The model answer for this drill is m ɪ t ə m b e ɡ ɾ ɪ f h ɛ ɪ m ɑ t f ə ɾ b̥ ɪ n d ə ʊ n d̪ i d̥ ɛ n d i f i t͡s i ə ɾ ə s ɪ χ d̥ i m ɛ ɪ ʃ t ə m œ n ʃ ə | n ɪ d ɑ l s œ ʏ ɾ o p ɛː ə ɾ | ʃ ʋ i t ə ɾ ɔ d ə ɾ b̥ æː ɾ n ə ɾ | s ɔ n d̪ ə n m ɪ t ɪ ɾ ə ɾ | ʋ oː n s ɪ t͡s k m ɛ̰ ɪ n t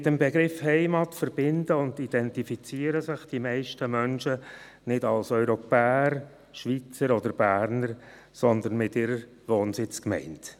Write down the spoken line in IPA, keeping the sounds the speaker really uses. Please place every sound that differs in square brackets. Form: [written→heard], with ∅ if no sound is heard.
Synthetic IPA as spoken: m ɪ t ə m b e ɡ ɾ ɪ f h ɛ ɪ m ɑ t f ə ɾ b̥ ɪ n d ə ʊ n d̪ i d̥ ɛ n [d→t] i f i t͡s i ə ɾ ə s ɪ χ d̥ i m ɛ ɪ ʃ t ə m œ n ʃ ə | n ɪ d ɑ l s œ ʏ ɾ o p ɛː ə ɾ | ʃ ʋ i [t→t͡s] ə ɾ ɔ d ə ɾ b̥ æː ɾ n ə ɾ | s ɔ n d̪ ə n m ɪ t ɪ ɾ ə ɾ | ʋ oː n s ɪ t͡s k m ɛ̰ ɪ n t